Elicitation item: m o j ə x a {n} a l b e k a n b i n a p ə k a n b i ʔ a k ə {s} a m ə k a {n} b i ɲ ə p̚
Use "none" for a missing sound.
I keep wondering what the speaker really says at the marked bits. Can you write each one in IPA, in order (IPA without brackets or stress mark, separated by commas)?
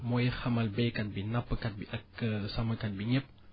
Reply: m, s, n